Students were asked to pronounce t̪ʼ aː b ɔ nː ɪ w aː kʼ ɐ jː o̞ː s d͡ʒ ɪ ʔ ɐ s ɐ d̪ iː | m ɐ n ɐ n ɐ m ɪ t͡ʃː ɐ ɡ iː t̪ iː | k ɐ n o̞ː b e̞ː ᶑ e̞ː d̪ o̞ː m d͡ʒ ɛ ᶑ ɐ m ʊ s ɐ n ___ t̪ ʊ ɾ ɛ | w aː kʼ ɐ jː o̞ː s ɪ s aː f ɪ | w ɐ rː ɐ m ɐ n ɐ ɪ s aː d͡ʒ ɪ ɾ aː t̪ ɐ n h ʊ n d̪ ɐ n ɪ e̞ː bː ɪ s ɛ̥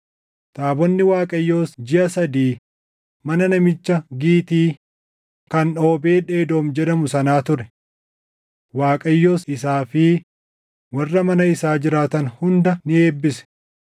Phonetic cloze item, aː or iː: aː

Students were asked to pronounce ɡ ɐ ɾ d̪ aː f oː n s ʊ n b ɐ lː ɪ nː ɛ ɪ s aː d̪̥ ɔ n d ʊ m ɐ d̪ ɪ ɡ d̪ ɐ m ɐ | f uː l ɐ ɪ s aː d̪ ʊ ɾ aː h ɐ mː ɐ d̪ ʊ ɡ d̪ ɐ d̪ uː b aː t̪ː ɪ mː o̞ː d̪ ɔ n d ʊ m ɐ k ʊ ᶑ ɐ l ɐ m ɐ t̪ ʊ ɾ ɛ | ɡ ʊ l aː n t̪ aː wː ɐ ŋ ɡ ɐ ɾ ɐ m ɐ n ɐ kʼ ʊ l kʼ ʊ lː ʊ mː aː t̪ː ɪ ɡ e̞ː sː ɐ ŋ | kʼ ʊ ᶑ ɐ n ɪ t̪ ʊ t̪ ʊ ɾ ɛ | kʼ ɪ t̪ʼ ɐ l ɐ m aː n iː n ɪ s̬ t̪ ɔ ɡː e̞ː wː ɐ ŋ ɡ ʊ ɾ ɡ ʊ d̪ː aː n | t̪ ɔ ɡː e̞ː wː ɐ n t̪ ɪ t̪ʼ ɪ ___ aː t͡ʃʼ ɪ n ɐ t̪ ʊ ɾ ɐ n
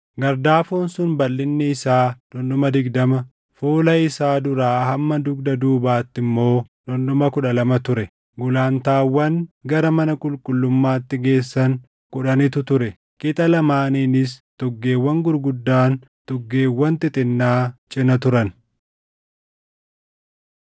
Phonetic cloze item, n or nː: nː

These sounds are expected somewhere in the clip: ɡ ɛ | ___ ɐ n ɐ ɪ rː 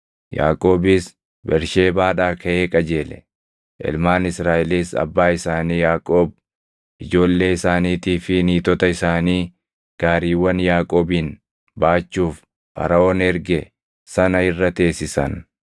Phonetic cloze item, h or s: s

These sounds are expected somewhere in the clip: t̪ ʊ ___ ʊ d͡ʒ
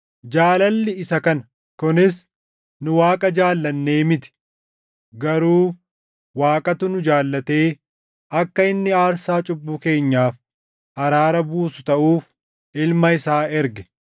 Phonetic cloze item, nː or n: n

